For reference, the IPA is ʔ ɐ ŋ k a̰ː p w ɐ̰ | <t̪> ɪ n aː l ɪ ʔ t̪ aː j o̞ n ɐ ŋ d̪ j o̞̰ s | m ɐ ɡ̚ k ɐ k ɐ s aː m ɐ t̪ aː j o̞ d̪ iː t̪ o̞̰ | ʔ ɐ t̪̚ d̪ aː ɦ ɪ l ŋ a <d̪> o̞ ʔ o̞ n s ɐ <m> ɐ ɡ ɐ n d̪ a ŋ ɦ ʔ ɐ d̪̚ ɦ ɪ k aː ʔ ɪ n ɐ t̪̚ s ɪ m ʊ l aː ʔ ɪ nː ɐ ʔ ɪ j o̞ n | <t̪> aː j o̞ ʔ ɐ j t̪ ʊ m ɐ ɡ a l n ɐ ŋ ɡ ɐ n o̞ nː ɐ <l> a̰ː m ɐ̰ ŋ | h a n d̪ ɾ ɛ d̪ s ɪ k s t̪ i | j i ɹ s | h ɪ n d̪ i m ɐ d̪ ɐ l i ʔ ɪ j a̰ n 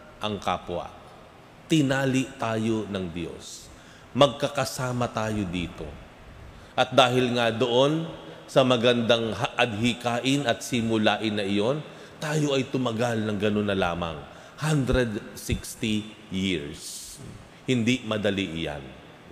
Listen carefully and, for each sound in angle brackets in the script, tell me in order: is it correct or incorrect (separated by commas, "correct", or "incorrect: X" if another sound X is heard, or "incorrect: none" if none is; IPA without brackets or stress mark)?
correct, correct, correct, correct, correct